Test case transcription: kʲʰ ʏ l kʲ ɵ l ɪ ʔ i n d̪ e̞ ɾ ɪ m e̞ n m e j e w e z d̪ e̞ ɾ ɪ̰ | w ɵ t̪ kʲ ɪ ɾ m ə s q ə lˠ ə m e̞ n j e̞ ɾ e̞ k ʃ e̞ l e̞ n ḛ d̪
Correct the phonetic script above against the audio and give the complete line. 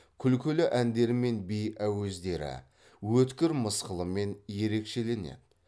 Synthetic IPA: kʲʰ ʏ l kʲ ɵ l ɪ ʔ æ n d̪ e̞ ɾ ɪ m e̞ n b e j æ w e z d̪ e̞ ɾ ɪ̰ | w ɵ t̪ kʲ ɪ ɾ m ə s q ə lˠ ə m e̞ n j e̞ ɾ e̞ k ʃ e̞ l e̞ n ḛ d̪